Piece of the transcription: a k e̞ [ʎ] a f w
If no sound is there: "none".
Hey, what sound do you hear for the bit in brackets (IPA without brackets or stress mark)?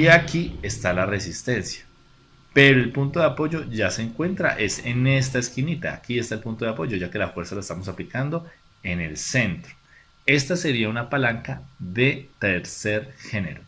l